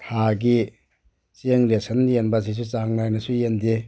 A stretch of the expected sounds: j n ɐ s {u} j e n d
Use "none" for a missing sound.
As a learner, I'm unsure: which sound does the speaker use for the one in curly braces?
u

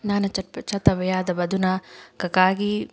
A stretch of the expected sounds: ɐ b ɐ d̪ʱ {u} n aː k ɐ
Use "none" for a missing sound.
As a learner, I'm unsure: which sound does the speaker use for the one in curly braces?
u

